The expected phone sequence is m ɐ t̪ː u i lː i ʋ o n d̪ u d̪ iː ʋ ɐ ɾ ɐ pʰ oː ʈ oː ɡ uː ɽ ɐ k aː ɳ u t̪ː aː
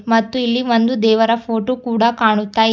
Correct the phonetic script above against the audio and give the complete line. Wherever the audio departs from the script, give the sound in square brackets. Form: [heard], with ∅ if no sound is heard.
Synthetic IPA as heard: m ɐ t̪ː u i lː i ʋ o n d̪ u d̪ [ɛː] ʋ ɐ ɾ ɐ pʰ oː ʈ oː [k] uː ɽ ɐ k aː ɳ u t̪ː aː